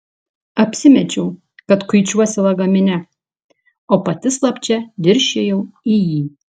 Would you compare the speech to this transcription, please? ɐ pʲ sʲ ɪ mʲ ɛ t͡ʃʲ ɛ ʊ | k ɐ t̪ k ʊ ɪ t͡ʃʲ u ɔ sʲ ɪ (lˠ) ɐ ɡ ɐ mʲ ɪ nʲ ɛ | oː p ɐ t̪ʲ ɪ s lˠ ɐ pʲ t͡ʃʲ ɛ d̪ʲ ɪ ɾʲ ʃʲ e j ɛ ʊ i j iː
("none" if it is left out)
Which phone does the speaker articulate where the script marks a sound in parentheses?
lˠ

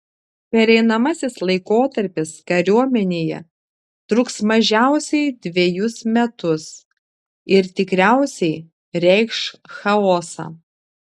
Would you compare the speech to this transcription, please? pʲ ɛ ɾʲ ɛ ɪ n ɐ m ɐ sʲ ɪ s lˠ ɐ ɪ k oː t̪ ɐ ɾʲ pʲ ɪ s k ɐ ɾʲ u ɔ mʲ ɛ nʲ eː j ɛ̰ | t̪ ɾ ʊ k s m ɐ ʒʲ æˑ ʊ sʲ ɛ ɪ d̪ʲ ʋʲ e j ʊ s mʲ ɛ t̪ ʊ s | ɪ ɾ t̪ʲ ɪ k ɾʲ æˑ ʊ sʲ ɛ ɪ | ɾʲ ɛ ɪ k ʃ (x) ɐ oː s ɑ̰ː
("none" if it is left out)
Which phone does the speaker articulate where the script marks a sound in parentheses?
x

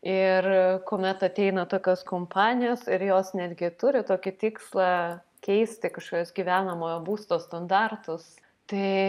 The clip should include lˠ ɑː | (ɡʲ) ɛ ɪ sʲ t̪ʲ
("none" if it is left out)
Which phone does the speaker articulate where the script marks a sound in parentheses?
kʲ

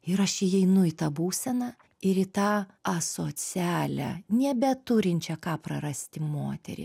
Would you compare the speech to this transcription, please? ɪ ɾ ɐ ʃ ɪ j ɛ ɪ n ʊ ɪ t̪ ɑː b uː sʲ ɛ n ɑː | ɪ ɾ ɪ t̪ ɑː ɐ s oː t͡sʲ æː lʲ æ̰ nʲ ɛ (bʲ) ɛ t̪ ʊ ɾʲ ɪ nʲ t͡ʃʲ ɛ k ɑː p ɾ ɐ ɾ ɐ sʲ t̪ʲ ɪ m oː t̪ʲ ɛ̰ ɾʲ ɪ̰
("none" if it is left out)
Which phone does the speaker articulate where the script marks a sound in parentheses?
bʲ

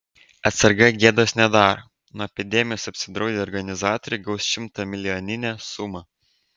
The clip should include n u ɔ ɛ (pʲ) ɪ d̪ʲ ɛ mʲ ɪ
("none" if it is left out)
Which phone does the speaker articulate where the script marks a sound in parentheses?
pʲ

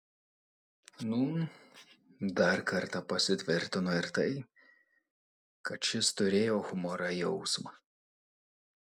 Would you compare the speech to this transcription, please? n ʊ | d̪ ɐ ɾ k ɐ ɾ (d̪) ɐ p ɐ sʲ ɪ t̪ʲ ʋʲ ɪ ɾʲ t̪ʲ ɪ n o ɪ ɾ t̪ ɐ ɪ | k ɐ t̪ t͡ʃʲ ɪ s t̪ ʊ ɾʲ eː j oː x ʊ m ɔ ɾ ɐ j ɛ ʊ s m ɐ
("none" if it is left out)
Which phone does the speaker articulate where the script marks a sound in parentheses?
t̪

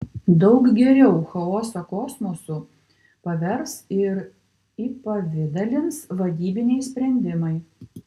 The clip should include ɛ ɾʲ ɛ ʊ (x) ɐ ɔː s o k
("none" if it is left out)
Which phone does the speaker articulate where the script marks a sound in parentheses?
x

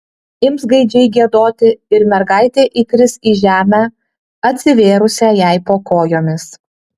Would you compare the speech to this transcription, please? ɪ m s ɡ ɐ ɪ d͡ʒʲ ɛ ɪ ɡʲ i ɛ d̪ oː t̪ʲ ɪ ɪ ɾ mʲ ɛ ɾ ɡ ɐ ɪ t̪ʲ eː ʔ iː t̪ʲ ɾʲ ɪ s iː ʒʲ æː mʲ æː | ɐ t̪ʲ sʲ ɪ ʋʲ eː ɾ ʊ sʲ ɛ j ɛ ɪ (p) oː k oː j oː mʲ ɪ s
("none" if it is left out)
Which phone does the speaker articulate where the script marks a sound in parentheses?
p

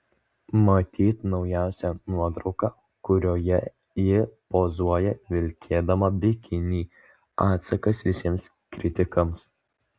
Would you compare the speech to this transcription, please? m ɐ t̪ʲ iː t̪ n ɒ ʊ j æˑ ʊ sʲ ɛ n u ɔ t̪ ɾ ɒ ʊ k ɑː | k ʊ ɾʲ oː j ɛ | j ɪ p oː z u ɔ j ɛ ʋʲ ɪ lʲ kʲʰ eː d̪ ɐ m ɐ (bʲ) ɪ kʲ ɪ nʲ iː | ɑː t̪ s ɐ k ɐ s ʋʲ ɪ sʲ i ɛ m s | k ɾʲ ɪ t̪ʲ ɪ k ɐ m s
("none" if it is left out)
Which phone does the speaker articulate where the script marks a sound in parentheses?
bʲ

